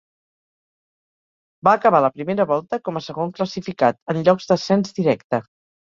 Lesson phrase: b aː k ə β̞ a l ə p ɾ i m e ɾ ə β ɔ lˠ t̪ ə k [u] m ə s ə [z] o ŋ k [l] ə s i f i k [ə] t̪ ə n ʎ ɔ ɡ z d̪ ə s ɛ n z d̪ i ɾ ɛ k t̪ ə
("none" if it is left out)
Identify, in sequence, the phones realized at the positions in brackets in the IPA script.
ɔ, ɣ, l, a

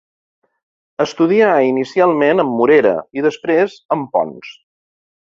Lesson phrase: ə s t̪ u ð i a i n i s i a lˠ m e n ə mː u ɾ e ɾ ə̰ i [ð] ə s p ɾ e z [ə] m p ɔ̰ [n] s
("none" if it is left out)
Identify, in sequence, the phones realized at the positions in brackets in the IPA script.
ð, ə, n

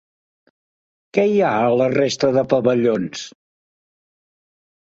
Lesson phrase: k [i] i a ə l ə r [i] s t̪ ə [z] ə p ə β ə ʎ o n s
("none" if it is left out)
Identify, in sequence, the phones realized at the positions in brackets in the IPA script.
ɛ, e, ð

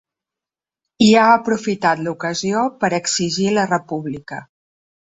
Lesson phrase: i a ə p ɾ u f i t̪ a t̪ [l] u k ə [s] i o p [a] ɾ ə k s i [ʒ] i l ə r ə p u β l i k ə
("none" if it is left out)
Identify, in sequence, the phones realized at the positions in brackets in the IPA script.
l, z, ə, ʒ

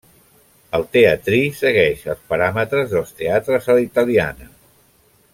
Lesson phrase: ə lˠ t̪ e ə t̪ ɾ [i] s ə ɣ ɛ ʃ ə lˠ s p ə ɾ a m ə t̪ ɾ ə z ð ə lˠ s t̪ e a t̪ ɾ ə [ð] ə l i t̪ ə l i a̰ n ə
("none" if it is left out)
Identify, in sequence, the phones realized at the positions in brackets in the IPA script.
i, z

